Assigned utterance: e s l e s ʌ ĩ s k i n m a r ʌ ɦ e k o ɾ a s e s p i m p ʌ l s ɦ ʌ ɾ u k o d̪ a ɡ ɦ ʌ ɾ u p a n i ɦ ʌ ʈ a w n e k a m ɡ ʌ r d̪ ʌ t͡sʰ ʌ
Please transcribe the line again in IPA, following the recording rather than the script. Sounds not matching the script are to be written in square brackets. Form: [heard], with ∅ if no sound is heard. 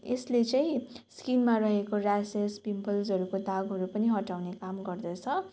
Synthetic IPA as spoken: e s l e [t͡s] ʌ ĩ s k i n m a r ʌ ɦ e k o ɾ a s e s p i m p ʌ l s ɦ ʌ ɾ u k o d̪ a ɡ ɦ ʌ ɾ u p [ʌ] n i ɦ ʌ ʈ a w n e k a m ɡ ʌ r d̪ ʌ t͡sʰ ʌ